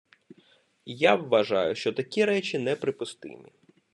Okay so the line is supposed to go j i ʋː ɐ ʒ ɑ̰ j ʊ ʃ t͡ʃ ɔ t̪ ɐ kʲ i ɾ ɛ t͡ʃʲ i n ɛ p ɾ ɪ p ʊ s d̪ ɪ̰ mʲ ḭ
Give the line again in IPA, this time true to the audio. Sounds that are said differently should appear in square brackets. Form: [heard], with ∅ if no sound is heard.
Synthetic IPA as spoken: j [a] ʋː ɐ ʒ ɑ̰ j ʊ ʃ t͡ʃ ɔ t̪ ɐ kʲ i ɾ ɛ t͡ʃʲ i n ɛ p ɾ ɪ p ʊ s [t̪] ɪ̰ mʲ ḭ